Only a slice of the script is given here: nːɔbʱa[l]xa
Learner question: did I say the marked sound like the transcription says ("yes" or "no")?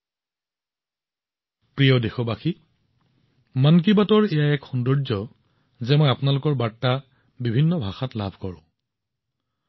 no